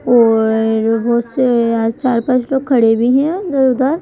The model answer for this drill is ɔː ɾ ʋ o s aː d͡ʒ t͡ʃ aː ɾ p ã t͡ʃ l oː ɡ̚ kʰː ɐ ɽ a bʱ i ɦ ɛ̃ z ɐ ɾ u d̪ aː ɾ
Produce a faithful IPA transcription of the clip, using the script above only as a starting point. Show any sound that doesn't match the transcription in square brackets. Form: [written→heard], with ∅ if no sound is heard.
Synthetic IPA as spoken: ɔː ɾ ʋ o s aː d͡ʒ t͡ʃ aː ɾ p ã t͡ʃ l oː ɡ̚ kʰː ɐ ɽ [a→e] bʱ i ɦ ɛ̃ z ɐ ɾ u d̪ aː ɾ